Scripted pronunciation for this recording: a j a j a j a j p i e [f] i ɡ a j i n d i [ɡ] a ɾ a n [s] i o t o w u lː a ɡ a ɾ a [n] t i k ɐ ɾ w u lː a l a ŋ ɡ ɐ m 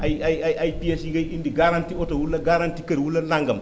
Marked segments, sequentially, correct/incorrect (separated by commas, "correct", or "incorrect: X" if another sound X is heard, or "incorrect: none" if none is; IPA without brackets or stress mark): incorrect: s, correct, incorrect: t, correct